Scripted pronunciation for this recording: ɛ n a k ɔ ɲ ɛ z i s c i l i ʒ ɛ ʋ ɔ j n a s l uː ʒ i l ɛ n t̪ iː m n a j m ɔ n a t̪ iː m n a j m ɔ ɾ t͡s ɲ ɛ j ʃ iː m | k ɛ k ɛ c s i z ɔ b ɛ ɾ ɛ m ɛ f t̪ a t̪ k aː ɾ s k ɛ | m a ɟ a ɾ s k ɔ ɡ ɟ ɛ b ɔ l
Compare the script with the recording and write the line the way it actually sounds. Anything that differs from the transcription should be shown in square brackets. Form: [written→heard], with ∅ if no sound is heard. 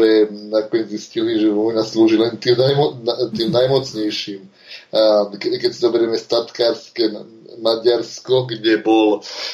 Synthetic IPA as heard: ɛ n a k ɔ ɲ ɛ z i s c i l i ʒ ɛ ʋ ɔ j n a s l uː ʒ i l ɛ n t̪ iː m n a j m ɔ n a t̪ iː m n a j m ɔ [ɾ→∅] t͡s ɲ ɛ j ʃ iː m | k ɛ k ɛ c s i z ɔ b ɛ ɾ ɛ m ɛ [f→s] t̪ a t̪ k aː ɾ s k ɛ | m a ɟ a ɾ s k ɔ ɡ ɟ ɛ b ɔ l